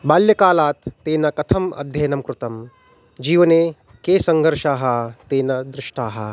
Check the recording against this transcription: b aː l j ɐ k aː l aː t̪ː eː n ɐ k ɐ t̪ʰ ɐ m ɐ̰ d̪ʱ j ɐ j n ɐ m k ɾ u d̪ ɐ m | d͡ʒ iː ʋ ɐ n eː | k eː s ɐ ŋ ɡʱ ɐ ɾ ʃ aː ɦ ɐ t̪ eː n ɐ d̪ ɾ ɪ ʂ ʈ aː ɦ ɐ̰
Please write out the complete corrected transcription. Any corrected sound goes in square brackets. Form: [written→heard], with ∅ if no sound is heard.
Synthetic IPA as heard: b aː l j ɐ k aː l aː t̪ː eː n ɐ k ɐ t̪ʰ ɐ m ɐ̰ d̪ʱ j ɐ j n ɐ m k ɾ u [d̪→t̪] ɐ m | d͡ʒ iː ʋ ɐ n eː | k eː s ɐ ŋ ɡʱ ɐ ɾ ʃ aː ɦ ɐ t̪ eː n ɐ d̪ ɾ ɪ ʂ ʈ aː ɦ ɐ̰